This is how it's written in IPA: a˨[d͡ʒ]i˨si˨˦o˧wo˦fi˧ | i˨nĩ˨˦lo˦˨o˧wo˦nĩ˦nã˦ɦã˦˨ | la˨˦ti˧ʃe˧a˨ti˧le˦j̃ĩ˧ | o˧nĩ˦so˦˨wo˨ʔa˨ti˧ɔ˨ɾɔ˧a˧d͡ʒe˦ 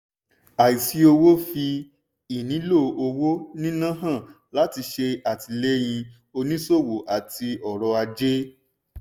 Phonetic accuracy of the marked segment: incorrect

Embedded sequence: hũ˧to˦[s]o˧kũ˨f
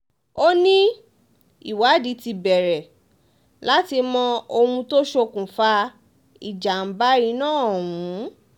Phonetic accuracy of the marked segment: incorrect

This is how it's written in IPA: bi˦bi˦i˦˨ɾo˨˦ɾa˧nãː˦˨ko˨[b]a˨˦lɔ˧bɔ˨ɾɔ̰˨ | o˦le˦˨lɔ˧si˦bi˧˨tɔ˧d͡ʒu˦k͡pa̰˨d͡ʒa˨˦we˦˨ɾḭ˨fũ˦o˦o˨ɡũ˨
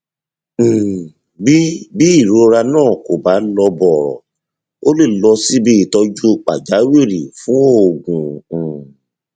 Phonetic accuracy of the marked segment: correct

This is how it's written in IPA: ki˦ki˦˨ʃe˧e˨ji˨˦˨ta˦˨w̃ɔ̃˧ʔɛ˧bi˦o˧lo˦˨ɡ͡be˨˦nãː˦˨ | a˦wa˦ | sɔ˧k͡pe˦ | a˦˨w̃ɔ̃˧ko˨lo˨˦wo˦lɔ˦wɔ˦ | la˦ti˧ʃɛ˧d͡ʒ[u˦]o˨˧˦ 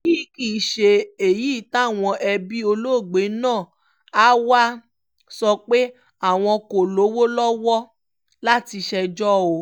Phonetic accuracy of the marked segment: incorrect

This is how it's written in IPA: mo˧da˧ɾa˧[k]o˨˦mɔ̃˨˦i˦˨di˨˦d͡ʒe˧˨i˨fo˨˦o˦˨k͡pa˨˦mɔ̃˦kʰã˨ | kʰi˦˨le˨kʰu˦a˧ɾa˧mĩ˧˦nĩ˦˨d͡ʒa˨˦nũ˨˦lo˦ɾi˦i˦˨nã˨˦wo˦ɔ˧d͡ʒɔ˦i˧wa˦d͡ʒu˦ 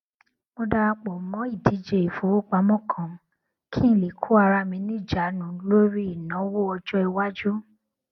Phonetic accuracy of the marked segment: incorrect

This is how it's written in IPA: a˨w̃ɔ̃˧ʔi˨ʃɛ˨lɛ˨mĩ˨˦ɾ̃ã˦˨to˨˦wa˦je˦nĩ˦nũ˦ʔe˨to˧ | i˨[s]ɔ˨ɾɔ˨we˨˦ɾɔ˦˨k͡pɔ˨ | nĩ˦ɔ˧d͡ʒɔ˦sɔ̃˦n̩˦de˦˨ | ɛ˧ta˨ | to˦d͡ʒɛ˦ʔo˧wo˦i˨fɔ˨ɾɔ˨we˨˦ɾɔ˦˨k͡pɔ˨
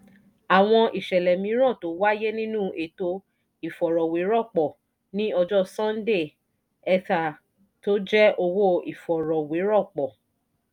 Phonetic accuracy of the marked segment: incorrect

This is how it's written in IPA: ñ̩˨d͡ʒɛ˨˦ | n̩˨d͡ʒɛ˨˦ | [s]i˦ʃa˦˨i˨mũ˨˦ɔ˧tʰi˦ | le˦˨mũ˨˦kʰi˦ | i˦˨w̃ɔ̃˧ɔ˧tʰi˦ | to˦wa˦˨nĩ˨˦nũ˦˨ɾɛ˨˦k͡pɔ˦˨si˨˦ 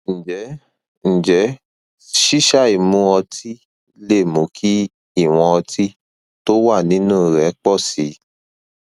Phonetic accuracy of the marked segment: incorrect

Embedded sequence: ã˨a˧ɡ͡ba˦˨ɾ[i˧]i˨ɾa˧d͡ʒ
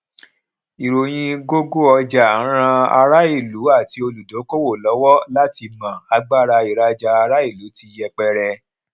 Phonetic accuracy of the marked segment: incorrect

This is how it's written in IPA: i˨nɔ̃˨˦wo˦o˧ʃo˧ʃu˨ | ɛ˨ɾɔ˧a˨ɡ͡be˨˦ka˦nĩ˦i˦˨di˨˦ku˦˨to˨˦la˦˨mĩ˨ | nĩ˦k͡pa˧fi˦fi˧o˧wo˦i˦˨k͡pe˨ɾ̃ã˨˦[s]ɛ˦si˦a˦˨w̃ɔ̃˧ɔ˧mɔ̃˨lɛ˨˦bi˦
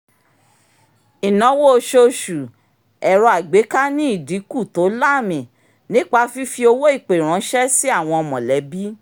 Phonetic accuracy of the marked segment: incorrect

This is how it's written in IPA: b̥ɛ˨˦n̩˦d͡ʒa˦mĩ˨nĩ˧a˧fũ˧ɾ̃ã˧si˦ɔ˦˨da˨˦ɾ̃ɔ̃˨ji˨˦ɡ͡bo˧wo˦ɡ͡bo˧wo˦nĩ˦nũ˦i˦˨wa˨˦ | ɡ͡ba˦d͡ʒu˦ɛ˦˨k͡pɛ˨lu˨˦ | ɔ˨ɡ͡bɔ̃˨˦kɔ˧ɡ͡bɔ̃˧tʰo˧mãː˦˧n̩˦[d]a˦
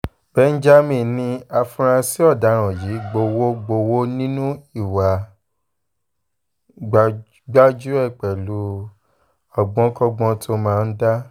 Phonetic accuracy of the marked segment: correct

